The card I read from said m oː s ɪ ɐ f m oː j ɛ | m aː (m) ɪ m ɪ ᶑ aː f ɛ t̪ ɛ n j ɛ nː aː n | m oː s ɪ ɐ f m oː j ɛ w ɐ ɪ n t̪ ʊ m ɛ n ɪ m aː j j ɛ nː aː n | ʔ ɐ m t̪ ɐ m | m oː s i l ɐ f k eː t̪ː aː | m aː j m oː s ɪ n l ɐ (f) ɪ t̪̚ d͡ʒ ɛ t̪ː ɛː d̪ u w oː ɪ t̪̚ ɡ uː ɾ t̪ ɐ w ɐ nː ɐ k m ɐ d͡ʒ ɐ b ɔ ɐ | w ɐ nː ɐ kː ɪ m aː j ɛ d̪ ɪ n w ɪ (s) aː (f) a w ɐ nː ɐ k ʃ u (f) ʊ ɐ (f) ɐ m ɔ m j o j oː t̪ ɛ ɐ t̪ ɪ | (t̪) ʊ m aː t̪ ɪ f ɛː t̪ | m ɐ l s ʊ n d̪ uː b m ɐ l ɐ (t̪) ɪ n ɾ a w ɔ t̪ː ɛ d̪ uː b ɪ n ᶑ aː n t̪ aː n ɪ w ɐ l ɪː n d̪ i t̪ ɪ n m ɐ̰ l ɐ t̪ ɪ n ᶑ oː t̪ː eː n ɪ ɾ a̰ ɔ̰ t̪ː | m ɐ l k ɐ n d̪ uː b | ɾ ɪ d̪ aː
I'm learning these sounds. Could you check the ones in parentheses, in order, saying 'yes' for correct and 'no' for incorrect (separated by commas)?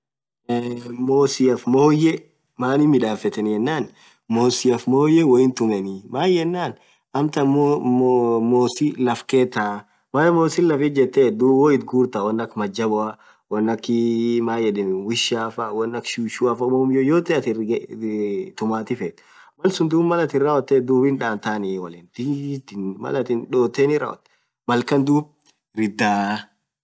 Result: no, yes, no, yes, no, yes, yes, yes